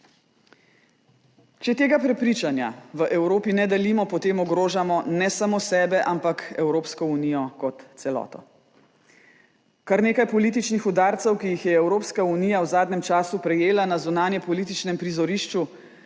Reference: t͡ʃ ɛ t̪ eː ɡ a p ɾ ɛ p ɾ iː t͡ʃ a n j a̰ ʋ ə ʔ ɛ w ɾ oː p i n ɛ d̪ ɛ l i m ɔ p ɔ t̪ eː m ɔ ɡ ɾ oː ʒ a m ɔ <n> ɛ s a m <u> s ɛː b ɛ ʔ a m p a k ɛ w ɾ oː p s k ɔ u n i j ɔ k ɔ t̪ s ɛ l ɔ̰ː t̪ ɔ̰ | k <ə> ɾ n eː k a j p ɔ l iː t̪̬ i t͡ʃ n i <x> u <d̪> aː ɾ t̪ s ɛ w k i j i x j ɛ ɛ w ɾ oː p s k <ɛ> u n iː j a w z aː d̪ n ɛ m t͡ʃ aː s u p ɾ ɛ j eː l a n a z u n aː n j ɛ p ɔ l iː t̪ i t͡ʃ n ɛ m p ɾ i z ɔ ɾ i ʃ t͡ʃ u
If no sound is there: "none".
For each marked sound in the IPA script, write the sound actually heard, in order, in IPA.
n, o, a, x, d̪, a

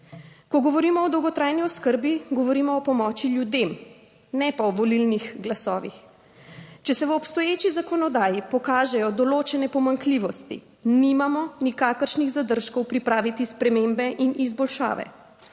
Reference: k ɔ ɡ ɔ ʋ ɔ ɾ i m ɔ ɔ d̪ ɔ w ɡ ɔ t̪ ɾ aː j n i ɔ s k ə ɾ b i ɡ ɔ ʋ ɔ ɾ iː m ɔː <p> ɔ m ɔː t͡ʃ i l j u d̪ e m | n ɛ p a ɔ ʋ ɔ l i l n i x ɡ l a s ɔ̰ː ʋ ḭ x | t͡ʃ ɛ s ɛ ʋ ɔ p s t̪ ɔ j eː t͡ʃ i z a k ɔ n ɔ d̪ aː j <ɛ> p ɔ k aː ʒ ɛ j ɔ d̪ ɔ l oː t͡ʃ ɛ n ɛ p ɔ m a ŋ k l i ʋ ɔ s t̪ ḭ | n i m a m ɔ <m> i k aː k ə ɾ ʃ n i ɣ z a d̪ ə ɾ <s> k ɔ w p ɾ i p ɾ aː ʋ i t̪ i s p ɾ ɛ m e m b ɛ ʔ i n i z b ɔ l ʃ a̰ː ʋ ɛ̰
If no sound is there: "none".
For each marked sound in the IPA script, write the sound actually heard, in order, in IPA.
p, i, n, ʃ

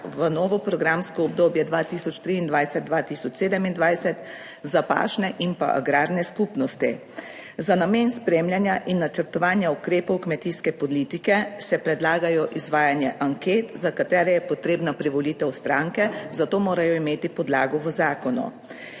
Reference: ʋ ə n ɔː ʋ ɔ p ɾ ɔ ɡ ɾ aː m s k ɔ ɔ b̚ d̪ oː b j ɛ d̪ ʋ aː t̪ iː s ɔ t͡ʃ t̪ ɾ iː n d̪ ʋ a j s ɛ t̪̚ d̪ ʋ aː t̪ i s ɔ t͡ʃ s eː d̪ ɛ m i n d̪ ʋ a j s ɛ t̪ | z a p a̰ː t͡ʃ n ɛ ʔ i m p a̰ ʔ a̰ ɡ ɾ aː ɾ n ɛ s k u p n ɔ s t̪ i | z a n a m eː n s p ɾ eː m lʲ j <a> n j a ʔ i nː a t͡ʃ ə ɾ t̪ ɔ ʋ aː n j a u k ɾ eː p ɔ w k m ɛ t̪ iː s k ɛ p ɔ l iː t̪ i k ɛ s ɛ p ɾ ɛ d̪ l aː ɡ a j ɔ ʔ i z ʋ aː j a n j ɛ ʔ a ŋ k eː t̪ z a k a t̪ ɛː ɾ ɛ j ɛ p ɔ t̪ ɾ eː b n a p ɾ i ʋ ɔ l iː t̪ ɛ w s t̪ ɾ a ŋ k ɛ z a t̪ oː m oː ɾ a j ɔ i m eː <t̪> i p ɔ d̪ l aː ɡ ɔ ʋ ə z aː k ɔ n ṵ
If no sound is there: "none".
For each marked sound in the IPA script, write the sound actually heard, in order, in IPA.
a, t̪

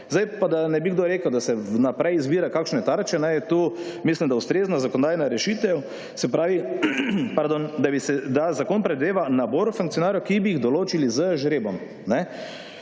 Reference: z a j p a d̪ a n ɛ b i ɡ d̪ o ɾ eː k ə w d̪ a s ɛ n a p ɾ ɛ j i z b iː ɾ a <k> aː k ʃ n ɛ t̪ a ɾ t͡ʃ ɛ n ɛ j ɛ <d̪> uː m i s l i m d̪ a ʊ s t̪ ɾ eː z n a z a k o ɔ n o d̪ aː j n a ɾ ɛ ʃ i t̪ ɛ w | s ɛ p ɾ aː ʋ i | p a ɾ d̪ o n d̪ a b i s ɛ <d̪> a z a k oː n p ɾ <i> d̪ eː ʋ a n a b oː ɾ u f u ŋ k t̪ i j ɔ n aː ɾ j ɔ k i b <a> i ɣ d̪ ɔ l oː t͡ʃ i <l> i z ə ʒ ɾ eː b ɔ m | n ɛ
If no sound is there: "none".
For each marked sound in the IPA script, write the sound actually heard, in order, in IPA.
k, t̪, d̪, ɛ, i, l

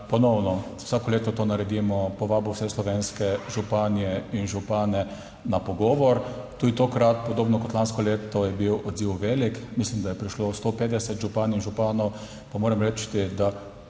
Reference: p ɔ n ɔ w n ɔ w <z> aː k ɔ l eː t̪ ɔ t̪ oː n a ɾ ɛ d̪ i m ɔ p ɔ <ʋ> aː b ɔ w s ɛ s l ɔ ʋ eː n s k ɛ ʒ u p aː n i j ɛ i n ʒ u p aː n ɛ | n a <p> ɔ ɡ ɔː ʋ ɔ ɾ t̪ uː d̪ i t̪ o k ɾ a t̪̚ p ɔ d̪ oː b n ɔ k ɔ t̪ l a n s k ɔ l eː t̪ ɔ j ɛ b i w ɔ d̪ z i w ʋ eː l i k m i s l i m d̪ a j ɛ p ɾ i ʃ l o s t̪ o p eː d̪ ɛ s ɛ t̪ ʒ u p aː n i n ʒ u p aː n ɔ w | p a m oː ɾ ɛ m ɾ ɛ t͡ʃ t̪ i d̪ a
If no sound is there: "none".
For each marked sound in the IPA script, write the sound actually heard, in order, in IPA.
s, ʋ, p

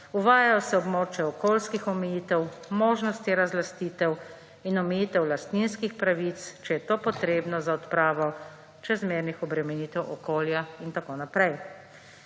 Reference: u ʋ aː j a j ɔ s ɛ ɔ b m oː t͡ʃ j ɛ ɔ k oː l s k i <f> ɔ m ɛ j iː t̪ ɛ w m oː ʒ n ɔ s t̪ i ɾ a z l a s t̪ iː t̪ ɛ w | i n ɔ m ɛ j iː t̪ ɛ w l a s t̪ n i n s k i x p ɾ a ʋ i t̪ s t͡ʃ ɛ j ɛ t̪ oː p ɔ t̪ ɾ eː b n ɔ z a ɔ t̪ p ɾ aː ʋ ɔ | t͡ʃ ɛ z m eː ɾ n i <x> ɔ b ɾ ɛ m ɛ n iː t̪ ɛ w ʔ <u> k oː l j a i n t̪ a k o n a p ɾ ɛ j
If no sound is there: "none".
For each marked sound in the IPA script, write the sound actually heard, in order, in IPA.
x, x, ɔ

